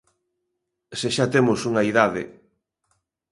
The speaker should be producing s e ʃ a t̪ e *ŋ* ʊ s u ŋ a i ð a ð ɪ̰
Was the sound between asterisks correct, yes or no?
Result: no